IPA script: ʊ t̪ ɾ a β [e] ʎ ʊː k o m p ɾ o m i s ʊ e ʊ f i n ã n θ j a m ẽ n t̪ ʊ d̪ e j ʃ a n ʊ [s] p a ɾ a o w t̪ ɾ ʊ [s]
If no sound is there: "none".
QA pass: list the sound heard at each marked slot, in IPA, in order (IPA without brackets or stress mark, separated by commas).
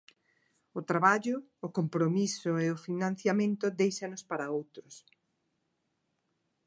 a, s, s